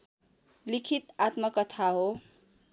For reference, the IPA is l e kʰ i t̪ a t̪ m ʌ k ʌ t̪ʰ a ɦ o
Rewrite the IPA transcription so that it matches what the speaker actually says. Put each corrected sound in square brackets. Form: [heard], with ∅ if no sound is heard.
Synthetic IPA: l [i] kʰ i t̪ a t̪ m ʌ k ʌ t̪ʰ a ɦ o